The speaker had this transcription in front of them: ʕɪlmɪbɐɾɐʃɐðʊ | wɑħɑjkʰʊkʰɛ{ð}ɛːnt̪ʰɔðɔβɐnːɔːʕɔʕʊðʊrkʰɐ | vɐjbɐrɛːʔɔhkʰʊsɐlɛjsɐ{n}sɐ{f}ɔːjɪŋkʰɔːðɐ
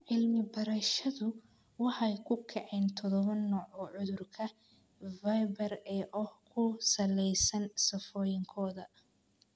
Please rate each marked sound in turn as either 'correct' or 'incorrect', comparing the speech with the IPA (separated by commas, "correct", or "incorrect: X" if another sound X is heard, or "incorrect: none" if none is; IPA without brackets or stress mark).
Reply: incorrect: ʕ, correct, correct